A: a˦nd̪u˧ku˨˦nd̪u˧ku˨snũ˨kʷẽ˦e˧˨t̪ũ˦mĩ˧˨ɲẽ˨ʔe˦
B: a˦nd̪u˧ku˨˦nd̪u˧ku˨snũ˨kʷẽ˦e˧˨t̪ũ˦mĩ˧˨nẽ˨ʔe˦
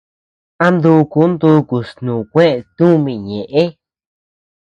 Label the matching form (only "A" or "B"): A